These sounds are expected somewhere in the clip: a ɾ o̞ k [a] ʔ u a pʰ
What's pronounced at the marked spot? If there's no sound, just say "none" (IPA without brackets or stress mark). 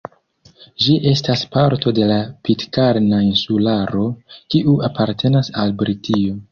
i